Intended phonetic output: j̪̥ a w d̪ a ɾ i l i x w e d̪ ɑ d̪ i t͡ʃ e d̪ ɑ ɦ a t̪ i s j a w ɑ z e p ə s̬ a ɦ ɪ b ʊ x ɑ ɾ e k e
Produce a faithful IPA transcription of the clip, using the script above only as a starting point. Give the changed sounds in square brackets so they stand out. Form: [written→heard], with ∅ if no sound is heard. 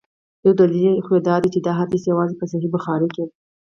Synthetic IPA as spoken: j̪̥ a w d̪ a [ɾ→l] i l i x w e d̪ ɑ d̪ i t͡ʃ e d̪ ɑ ɦ a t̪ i s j a w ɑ z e p ə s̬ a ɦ [ɪ→i] b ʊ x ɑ ɾ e k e